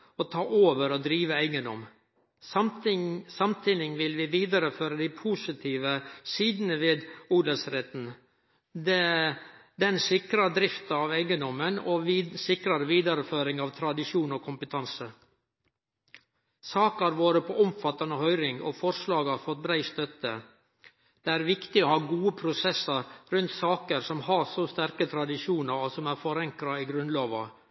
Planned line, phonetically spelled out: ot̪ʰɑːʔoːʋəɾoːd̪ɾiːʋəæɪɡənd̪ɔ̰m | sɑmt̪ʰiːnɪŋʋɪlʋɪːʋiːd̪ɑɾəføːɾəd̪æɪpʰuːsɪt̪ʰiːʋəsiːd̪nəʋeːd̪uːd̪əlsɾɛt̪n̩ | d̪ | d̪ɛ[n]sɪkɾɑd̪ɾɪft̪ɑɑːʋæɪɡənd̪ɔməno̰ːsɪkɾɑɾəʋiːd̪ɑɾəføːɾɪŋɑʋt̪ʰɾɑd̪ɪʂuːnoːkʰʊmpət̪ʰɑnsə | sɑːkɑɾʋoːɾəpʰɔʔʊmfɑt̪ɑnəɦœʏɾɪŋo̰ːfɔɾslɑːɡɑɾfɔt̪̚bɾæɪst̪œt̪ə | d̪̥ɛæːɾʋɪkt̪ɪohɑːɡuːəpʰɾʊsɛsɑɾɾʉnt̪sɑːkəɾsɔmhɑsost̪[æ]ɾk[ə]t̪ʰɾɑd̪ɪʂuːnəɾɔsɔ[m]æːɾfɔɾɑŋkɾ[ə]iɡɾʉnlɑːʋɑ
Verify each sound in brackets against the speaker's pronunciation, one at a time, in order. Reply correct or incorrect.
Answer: correct, correct, correct, correct, incorrect: ɑ

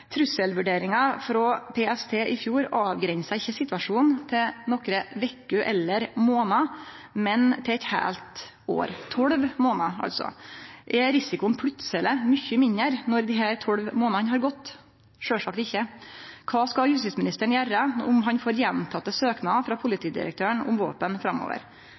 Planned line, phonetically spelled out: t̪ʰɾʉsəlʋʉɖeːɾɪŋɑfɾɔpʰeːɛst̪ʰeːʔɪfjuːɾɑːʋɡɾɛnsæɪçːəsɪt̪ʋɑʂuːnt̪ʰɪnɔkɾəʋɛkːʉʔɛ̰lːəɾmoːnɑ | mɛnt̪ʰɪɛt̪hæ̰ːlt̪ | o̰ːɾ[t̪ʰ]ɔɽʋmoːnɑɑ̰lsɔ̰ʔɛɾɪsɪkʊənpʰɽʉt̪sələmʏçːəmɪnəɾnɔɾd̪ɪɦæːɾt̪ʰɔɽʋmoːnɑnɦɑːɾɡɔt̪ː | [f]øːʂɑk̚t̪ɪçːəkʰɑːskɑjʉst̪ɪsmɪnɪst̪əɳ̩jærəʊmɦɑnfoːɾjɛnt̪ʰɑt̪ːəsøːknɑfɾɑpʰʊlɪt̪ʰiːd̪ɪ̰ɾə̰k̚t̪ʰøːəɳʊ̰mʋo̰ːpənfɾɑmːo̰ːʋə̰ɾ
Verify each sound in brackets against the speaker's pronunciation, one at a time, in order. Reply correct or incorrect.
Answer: correct, incorrect: ʂ

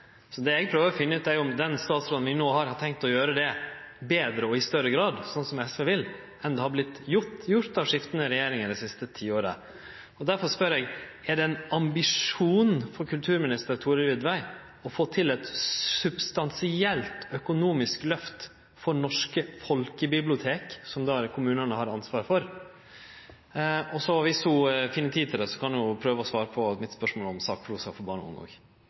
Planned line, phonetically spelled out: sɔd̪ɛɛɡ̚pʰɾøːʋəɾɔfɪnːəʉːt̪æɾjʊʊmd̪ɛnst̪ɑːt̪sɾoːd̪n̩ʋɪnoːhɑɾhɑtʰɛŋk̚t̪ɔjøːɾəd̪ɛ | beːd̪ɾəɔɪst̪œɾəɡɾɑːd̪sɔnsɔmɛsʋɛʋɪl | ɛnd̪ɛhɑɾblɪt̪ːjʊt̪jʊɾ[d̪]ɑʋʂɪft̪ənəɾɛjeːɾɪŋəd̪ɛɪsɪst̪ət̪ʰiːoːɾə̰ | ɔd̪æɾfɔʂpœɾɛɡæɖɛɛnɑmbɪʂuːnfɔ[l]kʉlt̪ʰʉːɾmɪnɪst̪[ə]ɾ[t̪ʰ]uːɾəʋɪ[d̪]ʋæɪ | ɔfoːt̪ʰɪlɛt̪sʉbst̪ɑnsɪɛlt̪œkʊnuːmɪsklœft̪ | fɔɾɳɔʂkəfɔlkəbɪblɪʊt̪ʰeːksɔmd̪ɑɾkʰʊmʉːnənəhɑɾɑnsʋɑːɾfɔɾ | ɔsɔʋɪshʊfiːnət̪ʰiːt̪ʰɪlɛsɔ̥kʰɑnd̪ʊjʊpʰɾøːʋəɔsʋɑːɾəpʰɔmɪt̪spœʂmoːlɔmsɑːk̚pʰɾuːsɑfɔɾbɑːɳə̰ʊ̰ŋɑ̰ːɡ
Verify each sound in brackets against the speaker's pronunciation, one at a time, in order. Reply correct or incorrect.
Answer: incorrect: t̪, incorrect: ɾ, correct, correct, correct

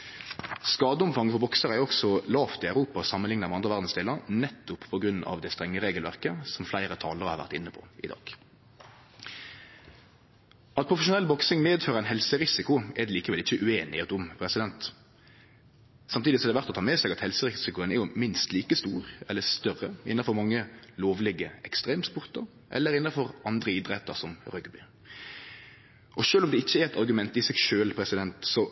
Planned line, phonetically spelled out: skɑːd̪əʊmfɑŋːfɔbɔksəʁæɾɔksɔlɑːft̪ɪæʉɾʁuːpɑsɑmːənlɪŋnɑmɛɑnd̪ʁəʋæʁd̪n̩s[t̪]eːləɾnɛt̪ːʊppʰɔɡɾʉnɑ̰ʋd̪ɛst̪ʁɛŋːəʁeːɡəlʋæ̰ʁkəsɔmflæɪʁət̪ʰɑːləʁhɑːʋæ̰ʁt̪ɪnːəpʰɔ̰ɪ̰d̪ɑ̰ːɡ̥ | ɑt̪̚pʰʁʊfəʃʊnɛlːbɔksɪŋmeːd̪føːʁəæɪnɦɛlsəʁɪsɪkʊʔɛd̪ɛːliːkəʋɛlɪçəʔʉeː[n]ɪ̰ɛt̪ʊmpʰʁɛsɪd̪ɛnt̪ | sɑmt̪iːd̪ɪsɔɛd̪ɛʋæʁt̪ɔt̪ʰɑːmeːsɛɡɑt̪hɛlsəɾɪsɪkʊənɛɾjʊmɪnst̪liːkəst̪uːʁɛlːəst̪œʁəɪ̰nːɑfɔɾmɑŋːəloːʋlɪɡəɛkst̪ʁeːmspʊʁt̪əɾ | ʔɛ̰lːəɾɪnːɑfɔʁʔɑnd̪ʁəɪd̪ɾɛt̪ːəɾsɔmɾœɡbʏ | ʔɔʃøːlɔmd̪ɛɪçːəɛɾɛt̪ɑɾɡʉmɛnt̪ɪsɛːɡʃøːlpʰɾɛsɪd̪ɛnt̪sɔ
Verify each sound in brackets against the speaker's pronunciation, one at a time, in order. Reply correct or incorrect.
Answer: incorrect: d̪, correct

